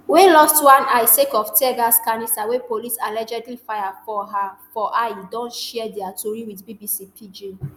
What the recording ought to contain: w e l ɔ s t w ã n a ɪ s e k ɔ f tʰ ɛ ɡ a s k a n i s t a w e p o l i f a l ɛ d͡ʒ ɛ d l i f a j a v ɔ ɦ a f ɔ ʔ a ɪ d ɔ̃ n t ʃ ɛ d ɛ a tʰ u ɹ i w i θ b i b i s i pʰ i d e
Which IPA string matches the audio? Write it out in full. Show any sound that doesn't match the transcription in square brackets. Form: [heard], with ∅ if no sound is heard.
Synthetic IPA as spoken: w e l ɔ s t w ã n a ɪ s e k ɔ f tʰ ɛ ɡ a s k a n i s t a w e p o l i [s] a l ɛ d͡ʒ ɛ d l i f a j a [f] ɔ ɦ a f ɔ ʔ a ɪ d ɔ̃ n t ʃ ɛ d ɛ a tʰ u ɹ i w i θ b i b i s i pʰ i [d͡ʒ] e

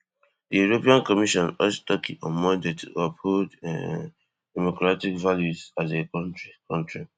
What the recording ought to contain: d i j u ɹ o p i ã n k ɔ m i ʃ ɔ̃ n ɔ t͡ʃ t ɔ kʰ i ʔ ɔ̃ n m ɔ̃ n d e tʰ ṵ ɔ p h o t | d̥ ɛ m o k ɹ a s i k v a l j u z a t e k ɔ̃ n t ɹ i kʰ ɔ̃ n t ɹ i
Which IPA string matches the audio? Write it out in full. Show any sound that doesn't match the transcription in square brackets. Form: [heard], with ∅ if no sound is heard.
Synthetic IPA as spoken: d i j u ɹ o p i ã n k ɔ m i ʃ ɔ̃ n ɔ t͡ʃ t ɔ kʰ i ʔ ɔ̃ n m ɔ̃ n d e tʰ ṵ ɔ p h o [d] | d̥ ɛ m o k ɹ a [t] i k v a l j u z a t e k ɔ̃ n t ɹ i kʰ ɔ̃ n t ɹ i

